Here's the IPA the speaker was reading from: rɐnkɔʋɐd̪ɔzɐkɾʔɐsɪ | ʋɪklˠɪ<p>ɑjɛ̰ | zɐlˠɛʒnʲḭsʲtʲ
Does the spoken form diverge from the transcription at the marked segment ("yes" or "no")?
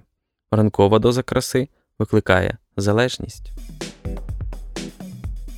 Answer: yes